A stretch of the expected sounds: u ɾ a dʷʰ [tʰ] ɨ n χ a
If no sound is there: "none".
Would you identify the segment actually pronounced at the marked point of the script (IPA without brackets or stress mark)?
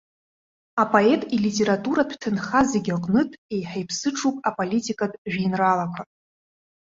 tʰ